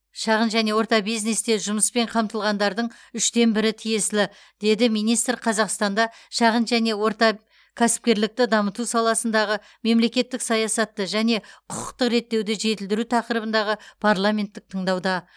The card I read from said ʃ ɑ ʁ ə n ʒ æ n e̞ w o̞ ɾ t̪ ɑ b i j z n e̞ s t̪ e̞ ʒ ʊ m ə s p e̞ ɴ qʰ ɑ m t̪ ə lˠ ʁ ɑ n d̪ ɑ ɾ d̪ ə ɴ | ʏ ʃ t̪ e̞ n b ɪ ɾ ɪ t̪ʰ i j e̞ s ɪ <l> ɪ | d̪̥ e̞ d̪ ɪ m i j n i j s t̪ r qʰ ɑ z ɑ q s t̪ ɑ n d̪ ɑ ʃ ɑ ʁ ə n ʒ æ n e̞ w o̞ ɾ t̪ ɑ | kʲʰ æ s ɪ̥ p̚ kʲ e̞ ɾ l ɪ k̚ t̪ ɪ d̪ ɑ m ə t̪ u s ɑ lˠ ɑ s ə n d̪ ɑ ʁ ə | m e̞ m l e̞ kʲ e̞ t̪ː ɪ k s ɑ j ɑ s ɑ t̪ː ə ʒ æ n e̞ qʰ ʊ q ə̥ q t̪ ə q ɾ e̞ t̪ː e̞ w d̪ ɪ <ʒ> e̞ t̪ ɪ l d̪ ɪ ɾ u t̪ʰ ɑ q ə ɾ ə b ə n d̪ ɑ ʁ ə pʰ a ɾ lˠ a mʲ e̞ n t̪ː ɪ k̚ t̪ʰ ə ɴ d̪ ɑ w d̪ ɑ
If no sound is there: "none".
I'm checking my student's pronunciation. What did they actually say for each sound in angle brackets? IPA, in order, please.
l, ʒ

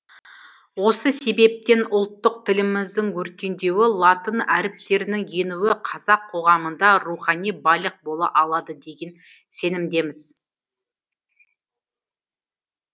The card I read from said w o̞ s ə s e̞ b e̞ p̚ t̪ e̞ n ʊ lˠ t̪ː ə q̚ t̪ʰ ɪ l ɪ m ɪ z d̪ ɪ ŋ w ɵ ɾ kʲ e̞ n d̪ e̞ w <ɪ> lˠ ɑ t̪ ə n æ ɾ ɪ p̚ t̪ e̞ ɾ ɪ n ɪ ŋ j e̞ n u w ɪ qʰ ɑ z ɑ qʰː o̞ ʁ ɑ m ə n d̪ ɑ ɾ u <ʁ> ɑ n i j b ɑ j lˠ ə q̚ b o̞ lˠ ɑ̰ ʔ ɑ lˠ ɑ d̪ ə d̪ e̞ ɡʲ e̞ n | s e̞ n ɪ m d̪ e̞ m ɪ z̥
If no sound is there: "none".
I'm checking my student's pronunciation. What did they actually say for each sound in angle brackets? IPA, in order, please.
ɪ, χ

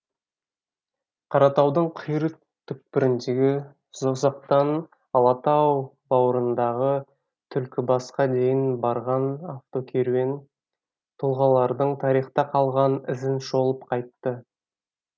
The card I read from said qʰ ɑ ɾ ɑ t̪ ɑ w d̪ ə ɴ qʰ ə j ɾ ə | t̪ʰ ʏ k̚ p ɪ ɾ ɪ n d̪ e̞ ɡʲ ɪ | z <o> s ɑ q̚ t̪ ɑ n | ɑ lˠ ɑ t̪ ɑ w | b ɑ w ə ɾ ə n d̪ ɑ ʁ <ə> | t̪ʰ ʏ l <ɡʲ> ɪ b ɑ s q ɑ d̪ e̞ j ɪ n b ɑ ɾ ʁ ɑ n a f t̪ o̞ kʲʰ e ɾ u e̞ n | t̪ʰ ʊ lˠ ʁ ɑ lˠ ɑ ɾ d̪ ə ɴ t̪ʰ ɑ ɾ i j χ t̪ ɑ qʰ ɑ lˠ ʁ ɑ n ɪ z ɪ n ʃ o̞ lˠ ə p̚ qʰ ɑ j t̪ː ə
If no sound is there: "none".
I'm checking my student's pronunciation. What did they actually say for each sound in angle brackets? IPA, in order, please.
o, ə, kʲ

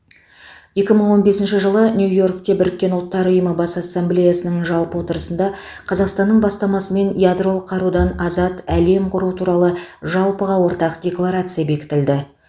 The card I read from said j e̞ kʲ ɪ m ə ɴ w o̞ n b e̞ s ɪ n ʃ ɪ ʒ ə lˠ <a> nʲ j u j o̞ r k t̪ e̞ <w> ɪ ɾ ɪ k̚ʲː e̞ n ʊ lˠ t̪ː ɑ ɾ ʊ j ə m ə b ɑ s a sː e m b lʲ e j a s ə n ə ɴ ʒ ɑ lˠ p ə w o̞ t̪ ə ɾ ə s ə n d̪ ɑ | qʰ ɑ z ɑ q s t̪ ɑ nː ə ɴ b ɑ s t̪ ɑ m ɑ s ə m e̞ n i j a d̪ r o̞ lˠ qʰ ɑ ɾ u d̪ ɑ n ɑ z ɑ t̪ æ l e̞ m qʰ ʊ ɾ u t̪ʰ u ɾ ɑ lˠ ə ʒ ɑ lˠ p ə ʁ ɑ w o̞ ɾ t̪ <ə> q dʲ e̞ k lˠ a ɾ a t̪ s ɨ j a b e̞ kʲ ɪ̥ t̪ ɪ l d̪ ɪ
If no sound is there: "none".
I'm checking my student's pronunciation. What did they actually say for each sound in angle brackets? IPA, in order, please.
ə, b, ɑ

